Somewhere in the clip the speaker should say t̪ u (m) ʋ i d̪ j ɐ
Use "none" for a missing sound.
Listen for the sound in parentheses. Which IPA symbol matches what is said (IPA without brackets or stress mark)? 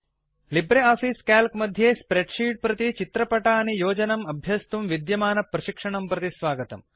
m